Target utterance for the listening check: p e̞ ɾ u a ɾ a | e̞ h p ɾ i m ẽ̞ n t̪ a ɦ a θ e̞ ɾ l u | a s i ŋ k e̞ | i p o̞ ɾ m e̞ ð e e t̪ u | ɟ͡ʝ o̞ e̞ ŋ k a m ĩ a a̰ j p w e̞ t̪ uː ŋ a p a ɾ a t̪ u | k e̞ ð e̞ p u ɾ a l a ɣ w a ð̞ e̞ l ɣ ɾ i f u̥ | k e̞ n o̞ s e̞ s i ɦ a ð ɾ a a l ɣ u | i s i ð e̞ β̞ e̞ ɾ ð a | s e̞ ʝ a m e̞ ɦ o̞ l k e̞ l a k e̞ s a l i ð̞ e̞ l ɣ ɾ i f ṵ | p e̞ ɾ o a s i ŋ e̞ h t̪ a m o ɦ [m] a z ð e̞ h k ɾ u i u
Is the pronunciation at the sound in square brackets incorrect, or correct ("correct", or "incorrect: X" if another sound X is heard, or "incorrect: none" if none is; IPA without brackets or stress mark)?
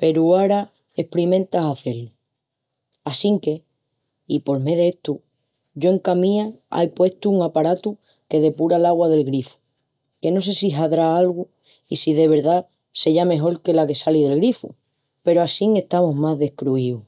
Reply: correct